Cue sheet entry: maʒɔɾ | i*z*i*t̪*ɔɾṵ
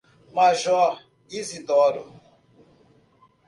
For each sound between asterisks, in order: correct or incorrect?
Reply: correct, incorrect: d̪

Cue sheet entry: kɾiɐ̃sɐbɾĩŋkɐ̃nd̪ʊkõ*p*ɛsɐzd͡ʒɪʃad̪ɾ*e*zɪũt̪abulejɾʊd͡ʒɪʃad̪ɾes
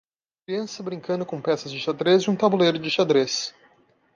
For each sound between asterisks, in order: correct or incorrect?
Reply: correct, correct

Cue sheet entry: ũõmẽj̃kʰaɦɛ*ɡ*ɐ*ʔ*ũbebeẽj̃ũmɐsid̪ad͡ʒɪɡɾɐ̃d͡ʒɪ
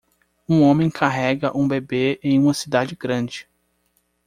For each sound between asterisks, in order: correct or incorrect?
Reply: correct, correct

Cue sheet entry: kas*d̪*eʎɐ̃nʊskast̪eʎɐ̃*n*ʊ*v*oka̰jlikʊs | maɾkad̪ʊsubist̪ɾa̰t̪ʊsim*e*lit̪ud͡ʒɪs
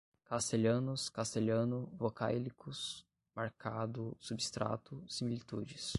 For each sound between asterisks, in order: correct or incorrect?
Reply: incorrect: t̪, correct, correct, incorrect: i

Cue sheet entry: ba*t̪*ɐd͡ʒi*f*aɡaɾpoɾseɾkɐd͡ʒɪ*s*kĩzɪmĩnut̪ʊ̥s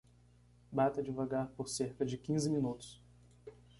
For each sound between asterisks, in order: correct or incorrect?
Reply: correct, incorrect: v, incorrect: none

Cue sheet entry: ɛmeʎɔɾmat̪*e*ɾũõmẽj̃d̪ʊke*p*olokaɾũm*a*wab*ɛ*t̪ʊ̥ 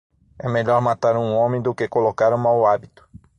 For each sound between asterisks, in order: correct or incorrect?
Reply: incorrect: a, incorrect: k, correct, incorrect: i

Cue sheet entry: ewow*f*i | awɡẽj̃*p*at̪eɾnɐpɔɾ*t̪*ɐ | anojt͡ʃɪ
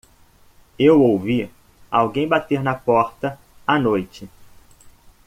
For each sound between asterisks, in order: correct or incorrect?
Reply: incorrect: v, incorrect: b, correct

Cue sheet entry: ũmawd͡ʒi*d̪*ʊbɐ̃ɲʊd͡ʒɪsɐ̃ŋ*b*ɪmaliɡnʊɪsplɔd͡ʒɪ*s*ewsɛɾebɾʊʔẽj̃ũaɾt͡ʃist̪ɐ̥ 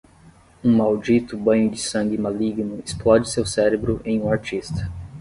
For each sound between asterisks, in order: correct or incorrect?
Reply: incorrect: t̪, incorrect: ɡ, correct

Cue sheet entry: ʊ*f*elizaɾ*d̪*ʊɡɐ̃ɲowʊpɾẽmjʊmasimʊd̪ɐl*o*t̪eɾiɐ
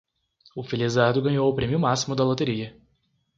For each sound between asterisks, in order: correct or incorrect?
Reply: correct, correct, correct

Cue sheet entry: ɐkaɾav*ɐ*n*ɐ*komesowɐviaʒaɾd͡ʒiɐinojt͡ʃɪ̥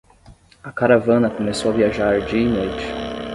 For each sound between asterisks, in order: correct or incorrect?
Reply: incorrect: ɐ̃, correct

